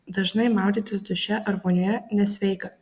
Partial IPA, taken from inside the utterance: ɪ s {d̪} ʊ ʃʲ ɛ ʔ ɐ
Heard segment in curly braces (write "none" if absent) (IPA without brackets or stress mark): d̪